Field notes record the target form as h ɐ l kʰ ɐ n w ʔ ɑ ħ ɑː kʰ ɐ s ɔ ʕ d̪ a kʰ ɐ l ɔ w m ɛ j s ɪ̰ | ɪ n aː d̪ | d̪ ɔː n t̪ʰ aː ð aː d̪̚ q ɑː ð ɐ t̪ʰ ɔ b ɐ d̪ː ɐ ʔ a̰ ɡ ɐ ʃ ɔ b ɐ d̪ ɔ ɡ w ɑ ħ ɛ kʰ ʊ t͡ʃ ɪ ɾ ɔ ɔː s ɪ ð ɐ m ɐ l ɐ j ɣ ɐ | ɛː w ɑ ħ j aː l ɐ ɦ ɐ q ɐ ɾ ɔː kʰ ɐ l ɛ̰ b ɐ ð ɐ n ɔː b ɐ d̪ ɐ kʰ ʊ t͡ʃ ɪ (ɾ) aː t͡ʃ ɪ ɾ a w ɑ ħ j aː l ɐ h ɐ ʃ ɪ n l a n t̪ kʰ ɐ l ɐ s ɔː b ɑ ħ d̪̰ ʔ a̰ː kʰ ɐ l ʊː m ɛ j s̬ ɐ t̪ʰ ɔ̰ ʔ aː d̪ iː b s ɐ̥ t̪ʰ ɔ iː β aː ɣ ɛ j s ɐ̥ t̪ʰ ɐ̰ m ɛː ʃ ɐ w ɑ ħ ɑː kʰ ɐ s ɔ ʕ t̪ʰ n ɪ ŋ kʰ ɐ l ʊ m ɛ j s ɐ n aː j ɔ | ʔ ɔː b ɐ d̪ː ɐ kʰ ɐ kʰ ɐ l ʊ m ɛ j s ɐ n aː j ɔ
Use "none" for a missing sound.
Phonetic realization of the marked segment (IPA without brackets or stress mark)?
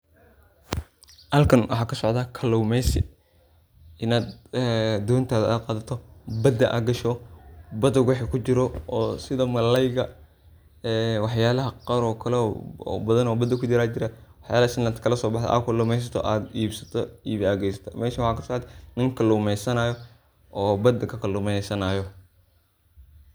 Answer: ɾ